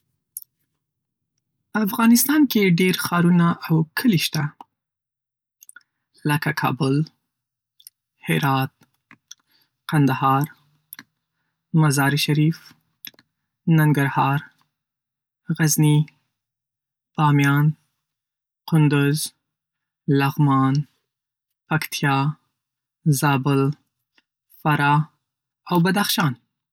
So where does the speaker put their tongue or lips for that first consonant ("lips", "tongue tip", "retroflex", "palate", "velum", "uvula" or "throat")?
lips